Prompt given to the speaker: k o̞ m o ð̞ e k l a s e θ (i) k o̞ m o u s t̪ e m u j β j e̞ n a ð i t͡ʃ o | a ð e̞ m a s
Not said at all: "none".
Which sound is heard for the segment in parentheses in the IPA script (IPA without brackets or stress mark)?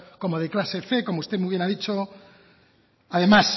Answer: e